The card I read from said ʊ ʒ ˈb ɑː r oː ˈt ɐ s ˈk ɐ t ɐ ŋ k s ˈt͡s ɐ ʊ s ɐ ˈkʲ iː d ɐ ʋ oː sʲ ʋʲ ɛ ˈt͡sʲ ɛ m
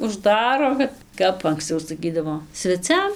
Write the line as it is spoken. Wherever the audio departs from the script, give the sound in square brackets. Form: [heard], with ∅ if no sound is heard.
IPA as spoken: ʊ ʒ [ˈd] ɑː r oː [ˈk] ɐ [t] ˈk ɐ [p] ɐ ŋ k s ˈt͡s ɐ ʊ s ɐ ˈkʲ iː d ɐ ʋ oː sʲ ʋʲ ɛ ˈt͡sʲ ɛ m